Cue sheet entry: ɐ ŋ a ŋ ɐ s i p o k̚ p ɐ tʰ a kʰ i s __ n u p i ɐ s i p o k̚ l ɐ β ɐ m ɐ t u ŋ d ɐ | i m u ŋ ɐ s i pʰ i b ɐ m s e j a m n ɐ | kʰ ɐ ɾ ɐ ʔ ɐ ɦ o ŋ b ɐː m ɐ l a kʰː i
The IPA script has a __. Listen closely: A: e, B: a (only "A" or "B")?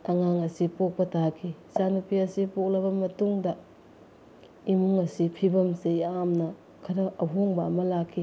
B